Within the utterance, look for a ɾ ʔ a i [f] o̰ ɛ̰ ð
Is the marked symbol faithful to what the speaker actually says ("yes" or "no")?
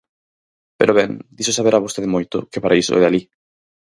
no